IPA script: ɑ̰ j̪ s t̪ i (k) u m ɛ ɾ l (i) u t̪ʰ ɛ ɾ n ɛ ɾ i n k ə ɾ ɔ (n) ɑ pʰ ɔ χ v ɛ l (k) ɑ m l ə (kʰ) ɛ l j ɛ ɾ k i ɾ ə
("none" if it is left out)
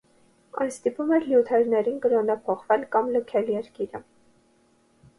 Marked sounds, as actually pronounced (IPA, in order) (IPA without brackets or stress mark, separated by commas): p, j, n, k, kʰ